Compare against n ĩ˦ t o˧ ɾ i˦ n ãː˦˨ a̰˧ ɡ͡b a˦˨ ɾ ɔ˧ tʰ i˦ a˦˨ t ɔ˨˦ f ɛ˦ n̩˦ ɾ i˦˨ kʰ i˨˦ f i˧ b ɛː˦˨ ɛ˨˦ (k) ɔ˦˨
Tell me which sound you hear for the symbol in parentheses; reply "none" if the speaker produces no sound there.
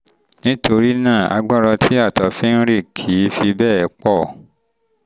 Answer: k͡p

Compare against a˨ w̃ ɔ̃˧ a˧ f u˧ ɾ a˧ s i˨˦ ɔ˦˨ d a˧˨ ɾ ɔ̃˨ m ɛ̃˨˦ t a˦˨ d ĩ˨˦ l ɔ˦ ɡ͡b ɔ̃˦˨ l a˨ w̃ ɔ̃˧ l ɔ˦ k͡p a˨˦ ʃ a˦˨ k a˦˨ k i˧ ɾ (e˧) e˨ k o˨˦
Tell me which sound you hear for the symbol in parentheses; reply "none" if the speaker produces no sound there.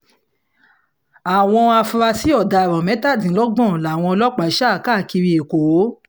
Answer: i˧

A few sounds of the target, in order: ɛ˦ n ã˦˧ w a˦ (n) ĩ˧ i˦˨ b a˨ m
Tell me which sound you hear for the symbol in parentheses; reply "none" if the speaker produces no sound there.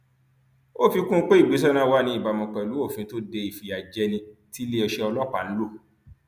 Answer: n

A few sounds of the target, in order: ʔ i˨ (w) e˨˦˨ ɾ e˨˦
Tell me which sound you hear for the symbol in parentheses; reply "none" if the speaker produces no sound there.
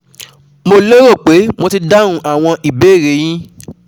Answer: b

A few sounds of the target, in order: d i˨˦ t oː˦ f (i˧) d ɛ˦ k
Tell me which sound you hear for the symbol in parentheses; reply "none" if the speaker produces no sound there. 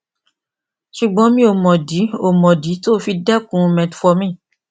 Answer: i˧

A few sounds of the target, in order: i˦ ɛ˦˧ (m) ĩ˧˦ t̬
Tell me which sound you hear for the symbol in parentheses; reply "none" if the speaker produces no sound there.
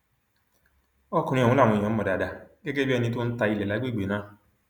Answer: n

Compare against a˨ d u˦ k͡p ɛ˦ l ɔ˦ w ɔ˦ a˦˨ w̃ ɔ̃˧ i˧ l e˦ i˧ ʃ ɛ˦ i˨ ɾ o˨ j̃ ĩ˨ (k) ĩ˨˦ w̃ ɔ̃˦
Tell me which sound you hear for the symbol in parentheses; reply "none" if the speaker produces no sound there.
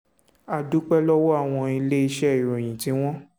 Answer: t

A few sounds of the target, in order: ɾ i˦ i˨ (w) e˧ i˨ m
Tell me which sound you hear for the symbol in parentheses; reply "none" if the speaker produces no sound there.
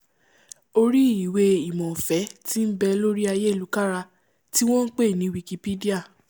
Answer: w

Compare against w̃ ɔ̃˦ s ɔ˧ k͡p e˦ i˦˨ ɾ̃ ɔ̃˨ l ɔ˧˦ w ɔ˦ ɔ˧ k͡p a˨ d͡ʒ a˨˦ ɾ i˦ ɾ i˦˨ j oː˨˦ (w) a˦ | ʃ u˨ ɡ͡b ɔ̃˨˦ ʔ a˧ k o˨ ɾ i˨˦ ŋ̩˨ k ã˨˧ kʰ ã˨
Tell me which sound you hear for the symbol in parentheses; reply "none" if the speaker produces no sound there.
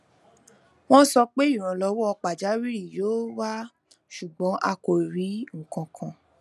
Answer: w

